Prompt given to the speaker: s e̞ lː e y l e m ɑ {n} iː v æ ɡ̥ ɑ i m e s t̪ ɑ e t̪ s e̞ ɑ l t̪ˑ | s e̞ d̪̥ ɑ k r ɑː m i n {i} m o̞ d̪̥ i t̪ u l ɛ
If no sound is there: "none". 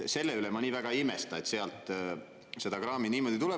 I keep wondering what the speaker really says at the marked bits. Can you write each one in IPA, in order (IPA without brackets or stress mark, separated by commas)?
n, iː